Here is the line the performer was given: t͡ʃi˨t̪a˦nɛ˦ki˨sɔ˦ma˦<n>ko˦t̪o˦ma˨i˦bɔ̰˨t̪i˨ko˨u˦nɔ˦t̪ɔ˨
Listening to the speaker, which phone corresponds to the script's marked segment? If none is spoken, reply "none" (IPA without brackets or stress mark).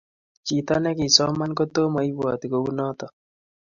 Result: n